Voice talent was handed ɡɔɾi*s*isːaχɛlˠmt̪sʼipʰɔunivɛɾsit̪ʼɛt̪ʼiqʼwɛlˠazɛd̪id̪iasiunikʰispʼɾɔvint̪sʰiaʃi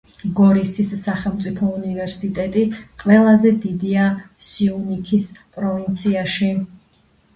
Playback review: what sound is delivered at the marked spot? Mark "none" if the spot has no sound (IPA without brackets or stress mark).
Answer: s